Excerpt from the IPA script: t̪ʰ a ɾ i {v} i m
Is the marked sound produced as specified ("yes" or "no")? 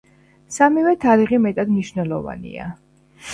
no